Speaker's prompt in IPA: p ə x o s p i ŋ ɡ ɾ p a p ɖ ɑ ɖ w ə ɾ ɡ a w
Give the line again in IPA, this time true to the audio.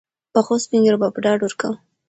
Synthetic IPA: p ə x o s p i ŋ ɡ ɾ b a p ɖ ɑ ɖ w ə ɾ k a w